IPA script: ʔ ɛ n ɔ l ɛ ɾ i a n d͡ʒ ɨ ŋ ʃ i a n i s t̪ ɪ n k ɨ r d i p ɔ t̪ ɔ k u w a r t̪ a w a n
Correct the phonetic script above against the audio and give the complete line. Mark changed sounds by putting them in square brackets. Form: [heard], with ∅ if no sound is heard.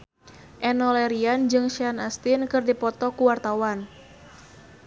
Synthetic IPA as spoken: ʔ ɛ n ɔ l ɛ ɾ i a n d͡ʒ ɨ ŋ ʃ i a n [a] s t̪ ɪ n k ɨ r d i p ɔ t̪ ɔ k u w a r t̪ a w a n